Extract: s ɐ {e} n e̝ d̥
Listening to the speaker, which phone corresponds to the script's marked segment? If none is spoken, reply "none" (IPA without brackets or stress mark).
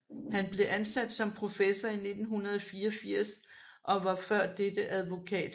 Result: i